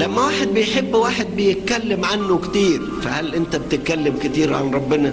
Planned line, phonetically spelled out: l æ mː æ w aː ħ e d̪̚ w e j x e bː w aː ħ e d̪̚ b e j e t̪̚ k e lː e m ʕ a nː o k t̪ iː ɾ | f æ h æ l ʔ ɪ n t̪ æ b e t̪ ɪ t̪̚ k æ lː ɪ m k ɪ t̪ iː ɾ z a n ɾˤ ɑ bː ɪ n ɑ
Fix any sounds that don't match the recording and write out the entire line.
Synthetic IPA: l æ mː æ w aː ħ e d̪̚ b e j ħ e bː w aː ħ e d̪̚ b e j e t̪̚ k æ lː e m ʕ a nː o k t̪ iː ɾ | f æ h æ l ʔ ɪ n t̪ æ b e t̪ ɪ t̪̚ k æ lː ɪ m k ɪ t̪ iː ɾ ʕ a n ɾˤ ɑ bː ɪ n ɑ